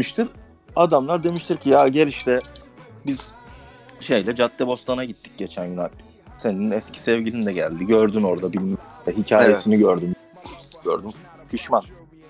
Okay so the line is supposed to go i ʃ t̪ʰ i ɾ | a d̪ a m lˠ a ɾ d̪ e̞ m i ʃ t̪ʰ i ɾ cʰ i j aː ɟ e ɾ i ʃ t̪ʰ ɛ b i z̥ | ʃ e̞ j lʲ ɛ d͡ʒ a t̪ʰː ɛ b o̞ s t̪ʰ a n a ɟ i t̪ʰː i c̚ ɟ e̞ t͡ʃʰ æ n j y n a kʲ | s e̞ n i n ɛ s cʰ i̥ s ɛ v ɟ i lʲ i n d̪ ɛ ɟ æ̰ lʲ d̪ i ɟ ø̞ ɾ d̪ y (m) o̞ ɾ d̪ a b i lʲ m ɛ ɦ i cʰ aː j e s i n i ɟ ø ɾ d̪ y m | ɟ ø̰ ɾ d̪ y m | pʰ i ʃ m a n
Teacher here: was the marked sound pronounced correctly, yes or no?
no